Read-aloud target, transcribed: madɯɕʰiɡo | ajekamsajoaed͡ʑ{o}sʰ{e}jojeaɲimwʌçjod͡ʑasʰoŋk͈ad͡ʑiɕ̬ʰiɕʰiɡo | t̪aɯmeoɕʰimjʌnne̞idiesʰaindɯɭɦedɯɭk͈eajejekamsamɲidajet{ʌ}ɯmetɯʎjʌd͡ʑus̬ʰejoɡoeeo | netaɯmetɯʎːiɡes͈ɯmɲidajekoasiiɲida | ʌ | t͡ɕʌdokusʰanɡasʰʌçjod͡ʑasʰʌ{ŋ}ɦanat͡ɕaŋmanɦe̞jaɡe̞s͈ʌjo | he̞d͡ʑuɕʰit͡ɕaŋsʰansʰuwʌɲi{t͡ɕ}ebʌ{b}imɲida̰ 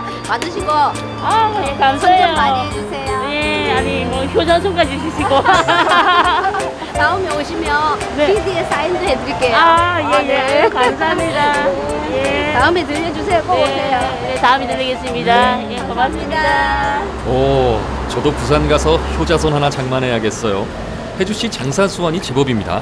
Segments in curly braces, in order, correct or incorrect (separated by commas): incorrect, correct, incorrect, incorrect, correct, correct